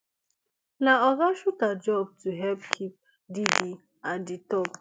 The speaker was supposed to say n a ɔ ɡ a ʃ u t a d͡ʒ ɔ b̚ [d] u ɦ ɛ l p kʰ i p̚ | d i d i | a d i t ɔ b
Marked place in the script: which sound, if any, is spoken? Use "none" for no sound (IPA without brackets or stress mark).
t